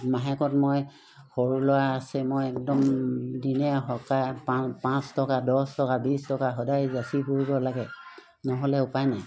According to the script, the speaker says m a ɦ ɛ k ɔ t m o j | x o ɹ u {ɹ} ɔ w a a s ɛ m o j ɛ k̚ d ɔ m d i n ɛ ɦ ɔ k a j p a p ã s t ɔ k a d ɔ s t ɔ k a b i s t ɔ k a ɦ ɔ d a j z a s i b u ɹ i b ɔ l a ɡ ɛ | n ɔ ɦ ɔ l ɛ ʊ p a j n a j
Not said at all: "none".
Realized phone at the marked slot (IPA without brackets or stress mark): l